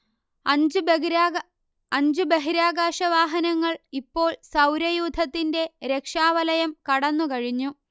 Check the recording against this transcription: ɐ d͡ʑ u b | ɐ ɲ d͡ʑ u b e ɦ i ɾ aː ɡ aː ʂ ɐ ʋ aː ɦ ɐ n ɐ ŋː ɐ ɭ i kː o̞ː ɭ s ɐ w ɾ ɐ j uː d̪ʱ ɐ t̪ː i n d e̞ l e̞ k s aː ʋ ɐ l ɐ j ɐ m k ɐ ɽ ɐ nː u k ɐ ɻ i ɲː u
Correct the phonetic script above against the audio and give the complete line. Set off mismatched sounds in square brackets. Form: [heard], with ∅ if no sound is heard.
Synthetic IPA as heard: ɐ d͡ʑ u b | ɐ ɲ d͡ʑ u b e ɦ i ɾ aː ɡ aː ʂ ɐ ʋ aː ɦ ɐ n ɐ ŋː ɐ ɭ i [pː] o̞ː ɭ s ɐ w ɾ ɐ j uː d̪ʱ ɐ t̪ː i n d e̞ [ɾ] e̞ k [ʂ] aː ʋ ɐ l ɐ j ɐ m k ɐ ɽ ɐ nː u k ɐ ɻ i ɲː u

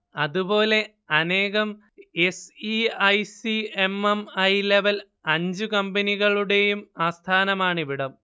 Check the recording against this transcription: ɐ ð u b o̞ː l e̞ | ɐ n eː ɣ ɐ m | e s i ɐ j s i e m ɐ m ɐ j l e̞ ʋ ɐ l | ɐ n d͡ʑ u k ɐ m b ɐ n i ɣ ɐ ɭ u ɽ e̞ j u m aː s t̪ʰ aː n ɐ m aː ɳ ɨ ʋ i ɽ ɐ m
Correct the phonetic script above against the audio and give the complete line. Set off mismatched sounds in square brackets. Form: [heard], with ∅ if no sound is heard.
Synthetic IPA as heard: ɐ ð u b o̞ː l e̞ | ɐ n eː ɣ ɐ m | e s i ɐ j s i e m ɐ m ɐ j l e̞ ʋ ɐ l | ɐ [ɲ] d͡ʑ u k ɐ m b ɐ n i ɣ ɐ ɭ u ɽ e̞ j u m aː s t̪ʰ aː n ɐ m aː ɳ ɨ ʋ i ɽ ɐ m

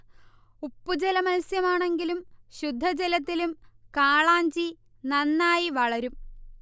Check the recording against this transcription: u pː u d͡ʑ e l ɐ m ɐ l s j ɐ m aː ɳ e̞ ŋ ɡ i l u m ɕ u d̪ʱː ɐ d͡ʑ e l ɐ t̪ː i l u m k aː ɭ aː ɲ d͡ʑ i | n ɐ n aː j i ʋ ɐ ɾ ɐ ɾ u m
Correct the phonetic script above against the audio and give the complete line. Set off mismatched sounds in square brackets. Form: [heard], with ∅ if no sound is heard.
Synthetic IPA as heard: u pː u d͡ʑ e l ɐ m ɐ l s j ɐ m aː ɳ e̞ ŋ ɡ i l u m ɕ u d̪ʱː ɐ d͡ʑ e l ɐ t̪ː i l u m k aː ɭ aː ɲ d͡ʑ i | n ɐ [nː] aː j i ʋ ɐ [ɭ] ɐ ɾ u m

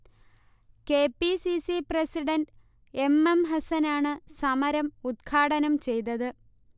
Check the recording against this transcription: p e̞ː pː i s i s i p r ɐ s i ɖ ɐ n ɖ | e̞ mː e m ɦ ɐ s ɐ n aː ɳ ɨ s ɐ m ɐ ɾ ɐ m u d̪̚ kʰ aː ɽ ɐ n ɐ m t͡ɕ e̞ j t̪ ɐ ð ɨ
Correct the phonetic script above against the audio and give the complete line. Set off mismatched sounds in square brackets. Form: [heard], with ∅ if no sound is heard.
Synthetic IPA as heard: [k] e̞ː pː i s i s i p r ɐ s i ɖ ɐ n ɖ | e̞ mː e m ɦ ɐ s ɐ n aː ɳ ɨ s ɐ m ɐ ɾ ɐ m u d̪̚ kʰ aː ɽ ɐ n ɐ m t͡ɕ e̞ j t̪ ɐ ð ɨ

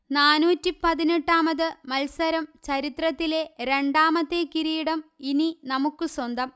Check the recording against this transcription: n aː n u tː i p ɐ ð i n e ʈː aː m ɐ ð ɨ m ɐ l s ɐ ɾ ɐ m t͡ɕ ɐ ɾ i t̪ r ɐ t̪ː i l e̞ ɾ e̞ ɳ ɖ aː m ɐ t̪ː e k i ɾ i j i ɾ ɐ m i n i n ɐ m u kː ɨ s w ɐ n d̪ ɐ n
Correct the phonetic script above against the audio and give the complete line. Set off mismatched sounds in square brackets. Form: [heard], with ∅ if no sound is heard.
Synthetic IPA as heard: n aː n [uː] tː i p ɐ ð i n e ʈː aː m ɐ ð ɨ m ɐ l s ɐ ɾ ɐ m t͡ɕ ɐ ɾ i t̪ r ɐ t̪ː i l e̞ ɾ e̞ ɳ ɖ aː m ɐ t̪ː e k i ɾ i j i [ɽ] ɐ m i n i n ɐ m u kː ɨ s w ɐ n d̪ ɐ [m]

